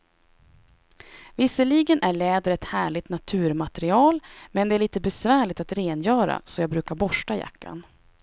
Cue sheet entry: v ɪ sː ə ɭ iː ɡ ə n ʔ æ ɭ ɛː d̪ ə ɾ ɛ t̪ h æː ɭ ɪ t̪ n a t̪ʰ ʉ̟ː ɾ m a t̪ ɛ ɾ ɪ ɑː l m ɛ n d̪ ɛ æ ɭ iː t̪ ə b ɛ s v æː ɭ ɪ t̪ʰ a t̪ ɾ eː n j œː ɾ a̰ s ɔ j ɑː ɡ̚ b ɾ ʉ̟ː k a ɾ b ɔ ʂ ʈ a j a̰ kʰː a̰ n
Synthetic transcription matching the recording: v ɪ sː ə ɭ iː ɡ ə n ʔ æ ɭ ɛː d̪ ə ɾ ɛ t̪ h æː ɭ ɪ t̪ n a t̪ʰ ʉ̟ː ɾ m a t̪ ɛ ɾ ɪ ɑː l m ɛ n d̪ ɛ æ ɭ iː t̪ ə b ɛ s v æː ɭ ɪ t̪ a t̪ ɾ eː n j œː ɾ a̰ s ɔ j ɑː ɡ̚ b ɾ ʉ̟ː k a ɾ b ɔ ʂ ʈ a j a̰ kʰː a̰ n